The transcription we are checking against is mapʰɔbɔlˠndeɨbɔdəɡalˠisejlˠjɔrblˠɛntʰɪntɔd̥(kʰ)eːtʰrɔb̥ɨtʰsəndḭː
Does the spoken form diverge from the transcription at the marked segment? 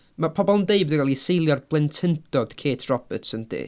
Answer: no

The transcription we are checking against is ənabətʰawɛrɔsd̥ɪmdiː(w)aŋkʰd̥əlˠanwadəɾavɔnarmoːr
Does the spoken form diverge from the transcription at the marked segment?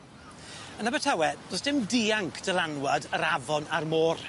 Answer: yes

